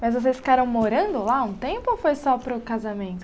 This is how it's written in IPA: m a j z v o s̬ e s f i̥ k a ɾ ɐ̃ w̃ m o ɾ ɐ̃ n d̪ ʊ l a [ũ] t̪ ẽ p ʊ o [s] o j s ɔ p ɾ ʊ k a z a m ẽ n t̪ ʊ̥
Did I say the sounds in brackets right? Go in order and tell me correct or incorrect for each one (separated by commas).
correct, incorrect